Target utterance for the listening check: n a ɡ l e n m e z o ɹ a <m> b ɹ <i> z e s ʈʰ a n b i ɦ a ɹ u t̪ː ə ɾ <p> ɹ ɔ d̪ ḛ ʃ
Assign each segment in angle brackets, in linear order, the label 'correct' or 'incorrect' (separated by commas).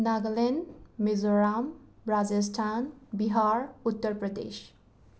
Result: correct, incorrect, correct